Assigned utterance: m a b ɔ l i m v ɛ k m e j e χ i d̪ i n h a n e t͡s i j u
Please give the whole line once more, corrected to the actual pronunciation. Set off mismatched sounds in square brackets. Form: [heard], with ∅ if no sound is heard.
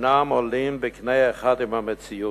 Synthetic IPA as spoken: [n] a [m] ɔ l i m [b] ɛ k [n] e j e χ [a] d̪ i [m] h a [m] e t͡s i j u